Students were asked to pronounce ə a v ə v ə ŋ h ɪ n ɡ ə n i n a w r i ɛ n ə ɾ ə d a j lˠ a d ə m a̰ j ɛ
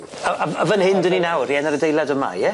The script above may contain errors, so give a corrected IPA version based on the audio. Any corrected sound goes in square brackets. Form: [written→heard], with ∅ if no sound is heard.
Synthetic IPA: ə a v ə v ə [ŋ→n] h ɪ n [ɡ→d] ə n i n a w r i ɛ n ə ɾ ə d [a→e] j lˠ a d ə m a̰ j ɛ